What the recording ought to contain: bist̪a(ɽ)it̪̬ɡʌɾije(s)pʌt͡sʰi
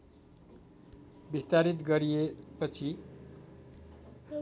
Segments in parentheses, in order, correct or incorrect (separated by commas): incorrect, incorrect